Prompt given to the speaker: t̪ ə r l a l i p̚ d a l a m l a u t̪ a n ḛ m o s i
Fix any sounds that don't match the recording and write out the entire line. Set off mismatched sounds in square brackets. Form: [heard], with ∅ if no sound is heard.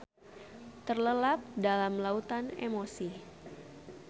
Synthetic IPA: t̪ ə r l [ə] l [a] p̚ d a l a m l a u t̪ a n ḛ m o s i